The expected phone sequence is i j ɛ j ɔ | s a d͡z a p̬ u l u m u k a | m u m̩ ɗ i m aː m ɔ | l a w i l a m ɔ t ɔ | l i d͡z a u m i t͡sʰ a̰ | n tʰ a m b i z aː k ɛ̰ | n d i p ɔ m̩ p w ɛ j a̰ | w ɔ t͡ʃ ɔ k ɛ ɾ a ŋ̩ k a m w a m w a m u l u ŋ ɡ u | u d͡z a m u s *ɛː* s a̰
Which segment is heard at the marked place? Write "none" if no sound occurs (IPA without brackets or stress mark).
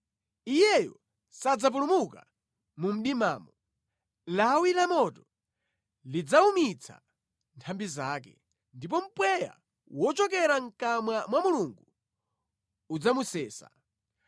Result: ɛː